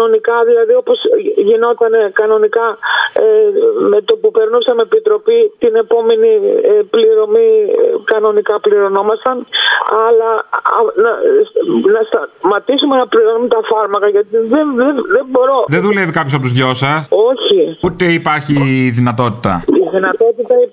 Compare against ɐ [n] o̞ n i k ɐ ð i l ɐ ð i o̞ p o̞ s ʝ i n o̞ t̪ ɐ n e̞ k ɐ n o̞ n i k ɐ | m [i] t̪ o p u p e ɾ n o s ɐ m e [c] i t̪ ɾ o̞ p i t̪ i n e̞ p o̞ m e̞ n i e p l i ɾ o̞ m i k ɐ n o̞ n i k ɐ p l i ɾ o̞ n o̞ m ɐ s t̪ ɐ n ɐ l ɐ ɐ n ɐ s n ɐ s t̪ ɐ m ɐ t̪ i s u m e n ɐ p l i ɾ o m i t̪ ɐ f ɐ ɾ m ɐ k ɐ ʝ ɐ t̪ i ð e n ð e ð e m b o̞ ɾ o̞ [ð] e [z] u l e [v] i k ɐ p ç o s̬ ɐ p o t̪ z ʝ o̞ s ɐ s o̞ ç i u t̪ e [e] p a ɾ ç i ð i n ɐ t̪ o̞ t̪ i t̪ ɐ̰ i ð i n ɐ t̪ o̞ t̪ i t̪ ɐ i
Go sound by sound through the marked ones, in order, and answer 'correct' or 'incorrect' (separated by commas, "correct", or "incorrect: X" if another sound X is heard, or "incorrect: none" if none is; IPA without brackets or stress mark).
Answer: correct, incorrect: e, incorrect: p, correct, incorrect: ð, correct, incorrect: i